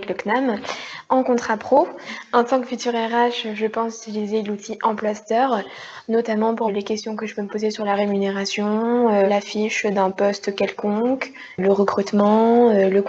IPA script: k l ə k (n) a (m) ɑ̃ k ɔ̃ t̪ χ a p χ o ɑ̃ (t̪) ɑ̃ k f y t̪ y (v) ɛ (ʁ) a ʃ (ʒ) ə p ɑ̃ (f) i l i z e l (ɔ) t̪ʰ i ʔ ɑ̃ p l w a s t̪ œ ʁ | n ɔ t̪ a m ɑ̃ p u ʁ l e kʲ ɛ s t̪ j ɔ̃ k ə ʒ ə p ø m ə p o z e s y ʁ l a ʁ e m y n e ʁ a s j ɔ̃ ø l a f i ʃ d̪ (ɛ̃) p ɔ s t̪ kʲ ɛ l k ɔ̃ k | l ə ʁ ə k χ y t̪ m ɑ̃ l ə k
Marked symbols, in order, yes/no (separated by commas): yes, yes, yes, no, yes, yes, no, no, yes